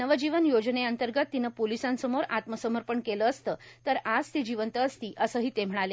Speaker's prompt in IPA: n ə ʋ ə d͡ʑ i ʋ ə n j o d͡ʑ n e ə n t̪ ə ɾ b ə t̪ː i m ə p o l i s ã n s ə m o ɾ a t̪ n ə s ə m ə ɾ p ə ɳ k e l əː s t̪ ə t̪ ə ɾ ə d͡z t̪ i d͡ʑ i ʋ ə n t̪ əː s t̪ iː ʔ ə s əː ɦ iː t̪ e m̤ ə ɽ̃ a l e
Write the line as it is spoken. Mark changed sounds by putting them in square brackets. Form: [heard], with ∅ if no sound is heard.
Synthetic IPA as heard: n ə ʋ ə d͡ʑ i ʋ ə n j o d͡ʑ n e ə n t̪ ə ɾ [ɡ] ə t̪ː i [n] ə p o l i s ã n s ə m o ɾ a t̪ [m] ə s ə m ə ɾ p ə ɳ k e l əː s t̪ ə t̪ ə ɾ [a] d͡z t̪ i d͡ʑ i ʋ ə n t̪ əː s t̪ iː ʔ ə s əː ɦ iː t̪ e m̤ ə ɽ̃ a l e